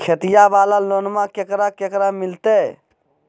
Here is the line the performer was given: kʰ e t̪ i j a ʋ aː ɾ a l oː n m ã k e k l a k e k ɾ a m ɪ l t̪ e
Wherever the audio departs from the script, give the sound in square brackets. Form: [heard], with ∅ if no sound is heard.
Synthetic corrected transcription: kʰ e t̪ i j a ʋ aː [l] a l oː n m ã k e k [ɾ] a k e k ɾ a m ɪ l t̪ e